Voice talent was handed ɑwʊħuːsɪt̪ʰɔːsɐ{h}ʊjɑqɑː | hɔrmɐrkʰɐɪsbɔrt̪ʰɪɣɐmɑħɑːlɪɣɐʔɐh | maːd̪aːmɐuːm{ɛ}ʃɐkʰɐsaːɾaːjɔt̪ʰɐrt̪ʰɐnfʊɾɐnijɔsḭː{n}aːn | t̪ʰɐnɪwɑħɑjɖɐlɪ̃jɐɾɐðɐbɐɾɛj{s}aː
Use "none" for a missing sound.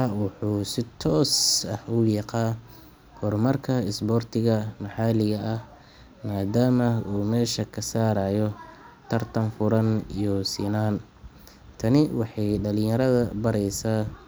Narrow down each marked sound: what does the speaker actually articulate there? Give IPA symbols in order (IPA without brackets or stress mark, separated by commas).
h, ɛː, n, s